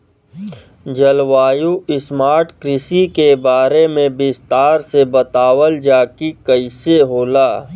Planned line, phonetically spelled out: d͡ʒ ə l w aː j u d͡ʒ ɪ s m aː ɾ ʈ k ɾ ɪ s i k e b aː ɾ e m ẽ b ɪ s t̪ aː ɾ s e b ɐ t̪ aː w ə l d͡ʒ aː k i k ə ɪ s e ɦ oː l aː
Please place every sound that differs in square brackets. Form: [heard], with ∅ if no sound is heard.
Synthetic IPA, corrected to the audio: d͡ʒ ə l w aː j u [∅] ɪ s m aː ɾ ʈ k ɾ ɪ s i k e b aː ɾ e m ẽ b ɪ s t̪ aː ɾ s e b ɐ t̪ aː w ə l d͡ʒ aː k i k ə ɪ s e ɦ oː l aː